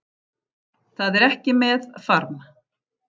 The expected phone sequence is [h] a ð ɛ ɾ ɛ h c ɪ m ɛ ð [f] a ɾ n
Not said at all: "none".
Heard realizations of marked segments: θ, f

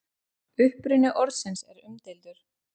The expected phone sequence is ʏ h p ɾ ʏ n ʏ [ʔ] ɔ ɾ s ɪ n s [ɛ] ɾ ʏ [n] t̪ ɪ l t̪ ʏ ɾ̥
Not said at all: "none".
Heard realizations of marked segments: ʔ, ɛ, m

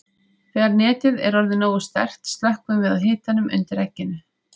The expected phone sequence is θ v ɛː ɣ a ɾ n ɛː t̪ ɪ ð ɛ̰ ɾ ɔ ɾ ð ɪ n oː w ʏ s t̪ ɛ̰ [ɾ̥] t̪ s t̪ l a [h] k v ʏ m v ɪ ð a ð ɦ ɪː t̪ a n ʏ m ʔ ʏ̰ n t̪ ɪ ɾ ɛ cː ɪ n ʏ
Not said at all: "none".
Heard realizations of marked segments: r̥, h

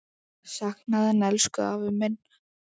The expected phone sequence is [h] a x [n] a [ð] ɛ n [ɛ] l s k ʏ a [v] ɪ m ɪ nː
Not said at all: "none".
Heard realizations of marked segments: s, n, ð, ɛ, v

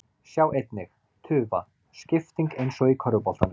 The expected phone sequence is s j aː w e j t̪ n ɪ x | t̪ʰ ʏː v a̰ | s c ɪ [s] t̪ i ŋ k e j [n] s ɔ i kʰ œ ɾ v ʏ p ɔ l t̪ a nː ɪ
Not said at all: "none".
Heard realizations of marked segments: f, n

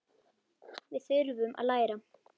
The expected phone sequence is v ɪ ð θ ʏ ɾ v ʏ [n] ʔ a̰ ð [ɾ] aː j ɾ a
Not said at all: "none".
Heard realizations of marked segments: m, l

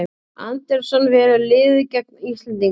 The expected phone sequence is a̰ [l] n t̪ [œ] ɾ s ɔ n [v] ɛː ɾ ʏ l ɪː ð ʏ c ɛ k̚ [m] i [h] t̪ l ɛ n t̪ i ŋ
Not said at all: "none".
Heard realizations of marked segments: none, ɛ, v, n, s

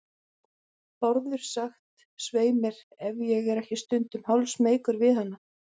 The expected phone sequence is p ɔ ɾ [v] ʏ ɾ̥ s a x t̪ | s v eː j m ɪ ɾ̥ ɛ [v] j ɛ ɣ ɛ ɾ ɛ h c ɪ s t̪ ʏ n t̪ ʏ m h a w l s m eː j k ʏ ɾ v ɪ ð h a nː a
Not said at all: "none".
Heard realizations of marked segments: ð, v

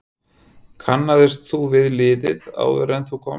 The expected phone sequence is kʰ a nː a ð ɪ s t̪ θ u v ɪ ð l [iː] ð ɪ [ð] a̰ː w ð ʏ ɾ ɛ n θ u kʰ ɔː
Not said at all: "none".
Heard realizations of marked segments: ɪː, ð

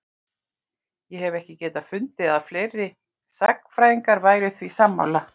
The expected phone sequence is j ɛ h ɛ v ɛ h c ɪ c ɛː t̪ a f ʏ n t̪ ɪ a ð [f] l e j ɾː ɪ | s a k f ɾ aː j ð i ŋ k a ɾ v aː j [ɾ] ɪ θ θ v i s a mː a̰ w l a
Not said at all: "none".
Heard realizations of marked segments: f, ɾ

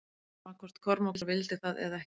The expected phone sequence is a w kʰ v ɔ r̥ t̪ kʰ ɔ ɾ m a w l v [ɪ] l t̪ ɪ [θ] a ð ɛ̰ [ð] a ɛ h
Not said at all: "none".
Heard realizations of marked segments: ɪ, θ, ð

